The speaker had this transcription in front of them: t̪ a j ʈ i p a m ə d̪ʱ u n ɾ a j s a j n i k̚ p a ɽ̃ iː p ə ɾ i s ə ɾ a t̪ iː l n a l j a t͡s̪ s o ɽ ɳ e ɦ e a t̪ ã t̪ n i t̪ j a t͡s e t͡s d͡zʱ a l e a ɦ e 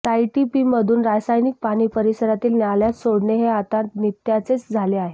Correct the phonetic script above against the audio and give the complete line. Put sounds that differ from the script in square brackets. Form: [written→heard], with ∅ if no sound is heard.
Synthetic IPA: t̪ a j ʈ i p [a→i] m ə d̪ʱ [u→uː] n ɾ a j s a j n i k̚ p a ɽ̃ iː p ə ɾ i s ə ɾ a t̪ iː l n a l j a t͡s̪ s o ɽ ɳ e ɦ e a t̪ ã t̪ n i t̪ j a t͡s e t͡s d͡zʱ a l e a ɦ e